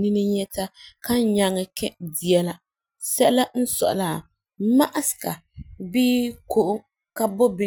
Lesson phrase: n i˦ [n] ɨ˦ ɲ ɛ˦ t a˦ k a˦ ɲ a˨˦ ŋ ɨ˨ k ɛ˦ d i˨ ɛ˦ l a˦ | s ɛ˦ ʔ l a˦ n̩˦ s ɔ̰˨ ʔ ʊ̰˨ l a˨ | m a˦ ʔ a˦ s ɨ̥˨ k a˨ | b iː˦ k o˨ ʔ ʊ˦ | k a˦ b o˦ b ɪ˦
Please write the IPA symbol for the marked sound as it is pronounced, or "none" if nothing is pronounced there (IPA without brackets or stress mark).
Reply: n